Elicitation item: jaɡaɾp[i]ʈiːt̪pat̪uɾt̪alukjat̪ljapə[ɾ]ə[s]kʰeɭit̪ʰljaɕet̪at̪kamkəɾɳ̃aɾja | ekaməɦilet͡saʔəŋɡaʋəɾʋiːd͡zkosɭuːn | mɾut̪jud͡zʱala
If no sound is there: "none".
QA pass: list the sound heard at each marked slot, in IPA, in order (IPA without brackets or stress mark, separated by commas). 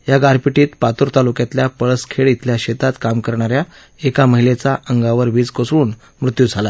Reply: i, ɭ, s